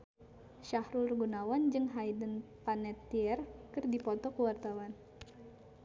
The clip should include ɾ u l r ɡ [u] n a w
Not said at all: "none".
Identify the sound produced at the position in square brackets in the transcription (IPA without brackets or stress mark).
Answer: u